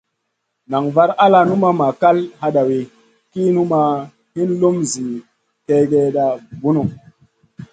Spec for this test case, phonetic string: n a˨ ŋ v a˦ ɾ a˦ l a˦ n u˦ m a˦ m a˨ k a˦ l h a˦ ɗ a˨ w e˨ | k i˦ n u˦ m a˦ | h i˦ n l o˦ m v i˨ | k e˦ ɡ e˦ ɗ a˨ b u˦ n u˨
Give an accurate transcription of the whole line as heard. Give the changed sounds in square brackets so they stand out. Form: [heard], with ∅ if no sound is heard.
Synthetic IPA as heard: n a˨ ŋ v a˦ ɾ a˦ l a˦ n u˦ m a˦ m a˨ k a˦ l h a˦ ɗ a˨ w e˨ | k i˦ n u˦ m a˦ | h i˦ n l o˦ m [z] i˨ | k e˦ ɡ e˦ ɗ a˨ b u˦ n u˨